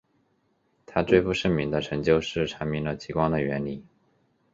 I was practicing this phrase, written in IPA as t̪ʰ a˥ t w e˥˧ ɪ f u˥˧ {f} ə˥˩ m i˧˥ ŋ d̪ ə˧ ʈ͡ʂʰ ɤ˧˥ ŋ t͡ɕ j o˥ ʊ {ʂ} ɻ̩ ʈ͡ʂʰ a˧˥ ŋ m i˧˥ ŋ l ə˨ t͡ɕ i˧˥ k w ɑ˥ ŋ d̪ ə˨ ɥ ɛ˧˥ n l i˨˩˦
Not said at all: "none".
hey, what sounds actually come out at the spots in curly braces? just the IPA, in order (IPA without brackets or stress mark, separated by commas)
ʂ, ʂ